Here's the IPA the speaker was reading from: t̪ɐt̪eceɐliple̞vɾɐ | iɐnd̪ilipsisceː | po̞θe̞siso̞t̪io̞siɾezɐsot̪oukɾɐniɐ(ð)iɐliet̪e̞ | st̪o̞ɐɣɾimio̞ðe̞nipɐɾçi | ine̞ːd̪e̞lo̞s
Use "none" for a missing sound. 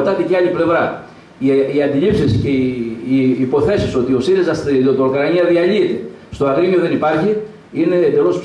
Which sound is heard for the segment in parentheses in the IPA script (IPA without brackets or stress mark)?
ð